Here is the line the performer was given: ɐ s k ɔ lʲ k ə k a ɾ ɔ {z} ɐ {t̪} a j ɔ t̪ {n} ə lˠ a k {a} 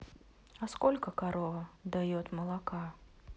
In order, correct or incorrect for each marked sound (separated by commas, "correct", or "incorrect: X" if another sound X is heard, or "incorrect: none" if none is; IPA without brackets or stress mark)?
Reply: incorrect: v, incorrect: d̪, incorrect: m, correct